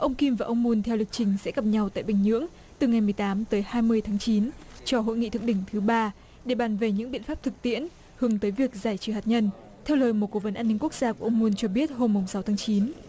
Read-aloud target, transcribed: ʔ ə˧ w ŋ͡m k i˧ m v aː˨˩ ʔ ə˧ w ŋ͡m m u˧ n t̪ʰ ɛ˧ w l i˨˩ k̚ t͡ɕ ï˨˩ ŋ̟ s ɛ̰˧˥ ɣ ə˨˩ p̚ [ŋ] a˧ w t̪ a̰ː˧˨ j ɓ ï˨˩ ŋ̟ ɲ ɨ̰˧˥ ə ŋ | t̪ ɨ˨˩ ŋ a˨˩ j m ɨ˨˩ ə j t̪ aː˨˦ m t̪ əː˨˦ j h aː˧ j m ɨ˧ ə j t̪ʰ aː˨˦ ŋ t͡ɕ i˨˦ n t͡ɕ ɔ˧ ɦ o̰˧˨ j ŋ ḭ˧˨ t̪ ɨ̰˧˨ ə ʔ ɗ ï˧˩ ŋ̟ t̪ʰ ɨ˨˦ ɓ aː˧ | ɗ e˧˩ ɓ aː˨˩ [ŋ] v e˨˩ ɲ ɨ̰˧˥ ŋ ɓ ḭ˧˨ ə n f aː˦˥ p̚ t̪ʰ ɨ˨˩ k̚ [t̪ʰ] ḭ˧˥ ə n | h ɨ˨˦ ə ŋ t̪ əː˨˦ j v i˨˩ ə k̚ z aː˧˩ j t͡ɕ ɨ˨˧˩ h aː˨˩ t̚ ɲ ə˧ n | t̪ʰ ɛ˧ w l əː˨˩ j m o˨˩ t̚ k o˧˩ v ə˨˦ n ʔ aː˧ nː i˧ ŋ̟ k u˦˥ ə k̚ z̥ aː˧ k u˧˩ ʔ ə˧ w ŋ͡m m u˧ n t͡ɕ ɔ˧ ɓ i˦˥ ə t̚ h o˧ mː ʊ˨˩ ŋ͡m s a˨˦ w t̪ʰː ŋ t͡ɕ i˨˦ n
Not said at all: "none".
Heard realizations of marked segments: ɲ, n, t̪

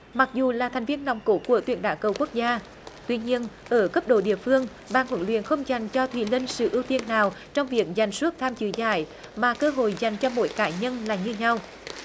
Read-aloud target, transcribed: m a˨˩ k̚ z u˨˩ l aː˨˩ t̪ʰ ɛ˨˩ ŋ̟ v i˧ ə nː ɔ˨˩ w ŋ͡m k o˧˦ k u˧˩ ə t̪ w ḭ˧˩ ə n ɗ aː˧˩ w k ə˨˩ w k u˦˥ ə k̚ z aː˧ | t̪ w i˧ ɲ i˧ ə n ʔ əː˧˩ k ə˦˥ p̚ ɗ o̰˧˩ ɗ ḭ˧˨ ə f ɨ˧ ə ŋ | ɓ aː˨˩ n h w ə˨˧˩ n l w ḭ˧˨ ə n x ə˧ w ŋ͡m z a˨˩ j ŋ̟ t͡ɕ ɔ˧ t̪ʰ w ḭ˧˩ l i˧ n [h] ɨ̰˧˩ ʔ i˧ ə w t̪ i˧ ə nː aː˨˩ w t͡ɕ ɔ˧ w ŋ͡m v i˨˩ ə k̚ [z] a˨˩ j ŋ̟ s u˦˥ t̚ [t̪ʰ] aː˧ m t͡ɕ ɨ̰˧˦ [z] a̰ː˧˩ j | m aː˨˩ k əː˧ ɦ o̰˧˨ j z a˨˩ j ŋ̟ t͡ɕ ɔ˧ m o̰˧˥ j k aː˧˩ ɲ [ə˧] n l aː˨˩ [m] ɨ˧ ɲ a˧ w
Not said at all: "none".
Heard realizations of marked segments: s, z, t̪ʰ, z, ə˧, ɲ

